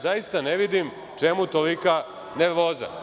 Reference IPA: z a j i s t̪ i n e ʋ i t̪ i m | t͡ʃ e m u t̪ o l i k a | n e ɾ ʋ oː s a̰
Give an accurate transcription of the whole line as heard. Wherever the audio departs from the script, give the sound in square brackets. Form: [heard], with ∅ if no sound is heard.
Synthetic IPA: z a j i s t̪ [a] n e ʋ i [d̪] i m | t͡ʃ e m u t̪ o l i k a | n e ɾ ʋ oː [z] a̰